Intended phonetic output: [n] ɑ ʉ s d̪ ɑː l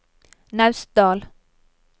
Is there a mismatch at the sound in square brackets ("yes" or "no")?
no